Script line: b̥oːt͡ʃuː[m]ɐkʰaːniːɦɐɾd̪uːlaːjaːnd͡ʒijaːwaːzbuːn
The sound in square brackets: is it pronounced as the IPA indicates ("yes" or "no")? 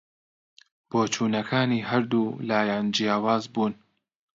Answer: no